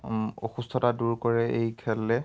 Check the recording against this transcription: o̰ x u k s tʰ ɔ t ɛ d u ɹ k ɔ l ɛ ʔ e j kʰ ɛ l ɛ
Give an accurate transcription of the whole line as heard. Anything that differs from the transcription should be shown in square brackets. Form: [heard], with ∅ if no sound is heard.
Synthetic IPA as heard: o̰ x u [∅] s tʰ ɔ t [a] d u ɹ k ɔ [ɹ] ɛ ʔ e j kʰ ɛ l ɛ